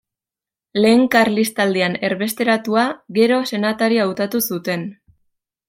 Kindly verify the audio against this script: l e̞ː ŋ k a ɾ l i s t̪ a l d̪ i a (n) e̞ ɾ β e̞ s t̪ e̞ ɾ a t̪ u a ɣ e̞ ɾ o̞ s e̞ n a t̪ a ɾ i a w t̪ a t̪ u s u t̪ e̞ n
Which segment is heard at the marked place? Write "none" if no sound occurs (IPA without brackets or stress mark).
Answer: n